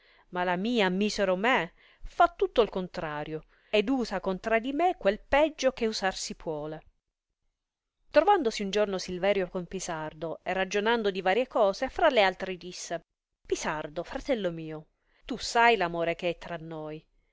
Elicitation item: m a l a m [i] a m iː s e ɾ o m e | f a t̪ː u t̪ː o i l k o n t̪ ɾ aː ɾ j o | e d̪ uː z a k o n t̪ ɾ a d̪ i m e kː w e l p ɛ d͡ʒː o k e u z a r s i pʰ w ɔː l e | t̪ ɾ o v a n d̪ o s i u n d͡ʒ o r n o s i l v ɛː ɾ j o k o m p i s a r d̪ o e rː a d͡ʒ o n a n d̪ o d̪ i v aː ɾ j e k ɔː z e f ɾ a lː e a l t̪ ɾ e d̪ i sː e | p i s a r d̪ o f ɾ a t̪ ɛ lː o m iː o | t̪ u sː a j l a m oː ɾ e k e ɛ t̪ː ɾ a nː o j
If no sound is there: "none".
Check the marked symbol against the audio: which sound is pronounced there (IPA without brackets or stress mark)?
iː